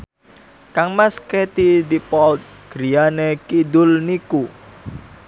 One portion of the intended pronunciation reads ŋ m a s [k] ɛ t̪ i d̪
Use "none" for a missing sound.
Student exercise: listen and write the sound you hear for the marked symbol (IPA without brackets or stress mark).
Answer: k